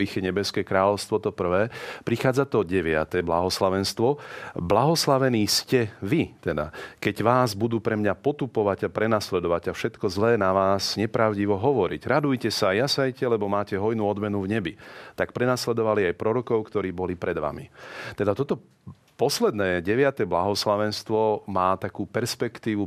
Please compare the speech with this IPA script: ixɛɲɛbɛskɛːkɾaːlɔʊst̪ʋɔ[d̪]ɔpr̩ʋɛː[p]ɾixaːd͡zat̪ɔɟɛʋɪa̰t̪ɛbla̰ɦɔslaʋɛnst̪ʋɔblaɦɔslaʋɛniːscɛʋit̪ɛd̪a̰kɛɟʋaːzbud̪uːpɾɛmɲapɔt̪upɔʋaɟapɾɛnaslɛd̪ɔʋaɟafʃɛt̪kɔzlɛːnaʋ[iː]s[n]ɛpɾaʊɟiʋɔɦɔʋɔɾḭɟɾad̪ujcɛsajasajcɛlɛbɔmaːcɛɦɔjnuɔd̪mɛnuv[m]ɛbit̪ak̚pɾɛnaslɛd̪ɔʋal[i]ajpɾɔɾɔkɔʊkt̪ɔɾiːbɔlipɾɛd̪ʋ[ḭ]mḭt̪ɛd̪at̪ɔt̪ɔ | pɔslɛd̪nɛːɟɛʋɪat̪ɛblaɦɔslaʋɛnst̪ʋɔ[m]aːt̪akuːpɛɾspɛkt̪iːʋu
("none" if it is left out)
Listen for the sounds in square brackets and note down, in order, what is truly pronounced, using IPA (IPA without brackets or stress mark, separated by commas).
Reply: t̪, p, aː, ɲ, ɲ, i, a̰, m